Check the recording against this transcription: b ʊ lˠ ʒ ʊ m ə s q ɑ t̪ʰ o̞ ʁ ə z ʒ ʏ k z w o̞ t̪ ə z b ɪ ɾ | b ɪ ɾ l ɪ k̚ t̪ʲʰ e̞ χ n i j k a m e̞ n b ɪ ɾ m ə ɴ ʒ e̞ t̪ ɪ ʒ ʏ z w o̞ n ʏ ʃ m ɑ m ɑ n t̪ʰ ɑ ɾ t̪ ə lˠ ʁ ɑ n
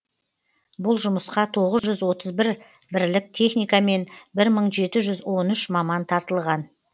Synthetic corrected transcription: b ʊ lˠ ʒ ʊ m ə s q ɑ t̪ʰ o̞ ʁ ə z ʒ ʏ z w o̞ t̪ ə z b ɪ ɾ | b ɪ ɾ l ɪ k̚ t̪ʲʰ e̞ χ n i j k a m e̞ n b ɪ ɾ m ə ɴ ʒ e̞ t̪ ɪ ʒ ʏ z w o̞ n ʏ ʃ m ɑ m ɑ n t̪ʰ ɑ ɾ t̪ ə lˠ ʁ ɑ n